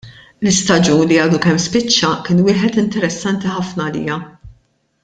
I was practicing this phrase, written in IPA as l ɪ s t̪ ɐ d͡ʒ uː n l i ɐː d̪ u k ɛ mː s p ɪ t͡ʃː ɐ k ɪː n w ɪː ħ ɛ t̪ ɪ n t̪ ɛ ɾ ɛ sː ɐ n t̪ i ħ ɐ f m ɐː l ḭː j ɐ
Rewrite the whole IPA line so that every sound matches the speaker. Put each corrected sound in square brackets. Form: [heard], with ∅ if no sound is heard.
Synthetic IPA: l ɪ s t̪ ɐ d͡ʒ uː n l i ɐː d̪ u k ɛ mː s p ɪ t͡ʃː ɐ k ɪː n w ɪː ħ ɛ t̪ ɪ n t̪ ɛ ɾ ɛ sː ɐ n t̪ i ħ ɐ f [n] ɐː l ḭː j ɐ